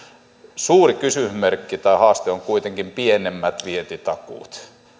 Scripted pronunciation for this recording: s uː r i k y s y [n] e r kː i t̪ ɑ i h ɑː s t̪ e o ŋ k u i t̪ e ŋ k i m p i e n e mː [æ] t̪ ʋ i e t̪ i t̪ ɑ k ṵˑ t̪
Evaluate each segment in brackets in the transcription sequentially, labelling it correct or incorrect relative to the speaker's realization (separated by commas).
incorrect, correct